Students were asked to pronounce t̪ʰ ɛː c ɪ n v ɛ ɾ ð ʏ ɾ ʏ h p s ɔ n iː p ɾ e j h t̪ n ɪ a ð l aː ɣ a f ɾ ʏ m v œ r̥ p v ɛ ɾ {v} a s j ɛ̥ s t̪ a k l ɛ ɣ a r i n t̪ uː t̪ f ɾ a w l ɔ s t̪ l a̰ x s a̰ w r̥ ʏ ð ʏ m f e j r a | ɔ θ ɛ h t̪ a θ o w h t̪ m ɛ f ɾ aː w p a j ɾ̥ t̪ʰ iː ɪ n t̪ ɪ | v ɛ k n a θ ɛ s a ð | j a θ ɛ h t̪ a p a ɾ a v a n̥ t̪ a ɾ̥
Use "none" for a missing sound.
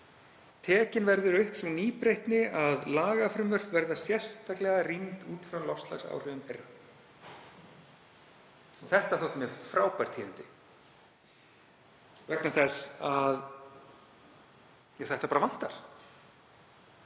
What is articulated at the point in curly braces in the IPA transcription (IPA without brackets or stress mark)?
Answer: ð